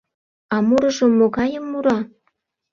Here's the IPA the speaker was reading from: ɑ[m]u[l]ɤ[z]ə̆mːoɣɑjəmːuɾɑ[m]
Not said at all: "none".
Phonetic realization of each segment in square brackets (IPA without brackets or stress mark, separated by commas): m, ɾ, ʒ, none